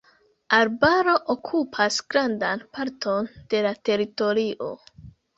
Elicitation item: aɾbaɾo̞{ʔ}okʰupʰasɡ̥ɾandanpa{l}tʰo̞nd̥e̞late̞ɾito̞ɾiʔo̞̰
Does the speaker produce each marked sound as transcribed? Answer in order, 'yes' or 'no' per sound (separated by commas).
yes, no